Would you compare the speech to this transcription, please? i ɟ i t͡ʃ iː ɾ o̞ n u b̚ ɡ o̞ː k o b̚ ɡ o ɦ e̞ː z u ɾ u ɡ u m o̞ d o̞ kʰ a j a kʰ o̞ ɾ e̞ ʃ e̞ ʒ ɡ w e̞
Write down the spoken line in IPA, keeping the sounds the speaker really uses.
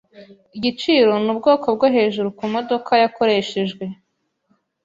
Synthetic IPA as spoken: i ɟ i t͡ʃ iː ɾ o̞ n u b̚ ɡ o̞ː k o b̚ ɡ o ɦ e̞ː ʒ u ɾ u k u m o̞ d o̞ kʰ a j a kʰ o̞ ɾ e̞ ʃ e̞ ʒ ɡ w e̞